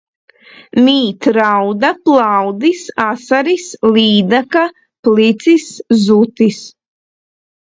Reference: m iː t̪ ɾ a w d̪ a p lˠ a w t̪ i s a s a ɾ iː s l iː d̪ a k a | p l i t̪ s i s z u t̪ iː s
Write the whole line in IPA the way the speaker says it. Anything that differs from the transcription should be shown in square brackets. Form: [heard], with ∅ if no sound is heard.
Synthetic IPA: m iː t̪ ɾ a w d̪ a p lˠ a w [d̪] i s a s a ɾ [i] s l iː d̪ a k a | p l i t̪ s i s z u t̪ [i] s